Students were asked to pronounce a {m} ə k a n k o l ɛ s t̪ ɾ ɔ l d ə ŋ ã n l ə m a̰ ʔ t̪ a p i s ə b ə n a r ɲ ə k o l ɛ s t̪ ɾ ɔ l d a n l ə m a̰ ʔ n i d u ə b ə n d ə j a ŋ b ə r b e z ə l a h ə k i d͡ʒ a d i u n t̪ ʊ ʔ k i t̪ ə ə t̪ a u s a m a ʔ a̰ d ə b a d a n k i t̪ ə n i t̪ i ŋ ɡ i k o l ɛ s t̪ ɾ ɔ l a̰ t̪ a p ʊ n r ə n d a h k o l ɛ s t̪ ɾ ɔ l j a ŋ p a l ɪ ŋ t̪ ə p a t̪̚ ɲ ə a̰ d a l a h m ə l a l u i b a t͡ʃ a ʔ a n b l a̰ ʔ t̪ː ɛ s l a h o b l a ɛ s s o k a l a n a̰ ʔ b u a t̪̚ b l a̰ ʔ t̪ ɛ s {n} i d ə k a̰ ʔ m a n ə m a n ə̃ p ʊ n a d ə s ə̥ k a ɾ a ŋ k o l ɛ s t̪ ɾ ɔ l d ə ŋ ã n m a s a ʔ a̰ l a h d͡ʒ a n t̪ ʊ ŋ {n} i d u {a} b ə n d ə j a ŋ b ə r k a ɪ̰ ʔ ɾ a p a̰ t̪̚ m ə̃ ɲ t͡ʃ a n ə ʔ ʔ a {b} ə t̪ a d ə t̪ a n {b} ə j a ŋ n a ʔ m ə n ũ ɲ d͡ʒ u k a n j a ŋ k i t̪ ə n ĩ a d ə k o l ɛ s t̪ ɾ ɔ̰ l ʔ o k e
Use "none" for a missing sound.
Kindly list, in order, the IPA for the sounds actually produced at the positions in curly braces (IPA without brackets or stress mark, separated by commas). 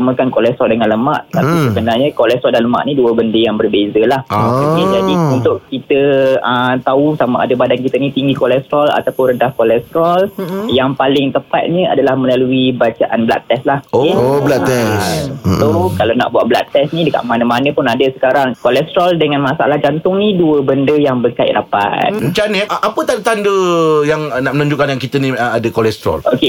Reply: m, n, n, ə, p, d